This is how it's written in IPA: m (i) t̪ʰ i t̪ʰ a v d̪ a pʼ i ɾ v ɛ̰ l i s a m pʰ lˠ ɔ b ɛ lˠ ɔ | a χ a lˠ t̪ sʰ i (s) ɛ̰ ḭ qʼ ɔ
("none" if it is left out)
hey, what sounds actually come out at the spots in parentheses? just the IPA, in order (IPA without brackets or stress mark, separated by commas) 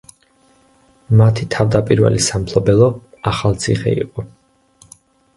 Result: a, χ